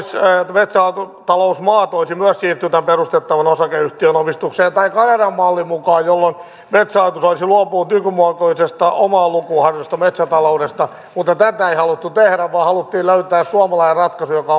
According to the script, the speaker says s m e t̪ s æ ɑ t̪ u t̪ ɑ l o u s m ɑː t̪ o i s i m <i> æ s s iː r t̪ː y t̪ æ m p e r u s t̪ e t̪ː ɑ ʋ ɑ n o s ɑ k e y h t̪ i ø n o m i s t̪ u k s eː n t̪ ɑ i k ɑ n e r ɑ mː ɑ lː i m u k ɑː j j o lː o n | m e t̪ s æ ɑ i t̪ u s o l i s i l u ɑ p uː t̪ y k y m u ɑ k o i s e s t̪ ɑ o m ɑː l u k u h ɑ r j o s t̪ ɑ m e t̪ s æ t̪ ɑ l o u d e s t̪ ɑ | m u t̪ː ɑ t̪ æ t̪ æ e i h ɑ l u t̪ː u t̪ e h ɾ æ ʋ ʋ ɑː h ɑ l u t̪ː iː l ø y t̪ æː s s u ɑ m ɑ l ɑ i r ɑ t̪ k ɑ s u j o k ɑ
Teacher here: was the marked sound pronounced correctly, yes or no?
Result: no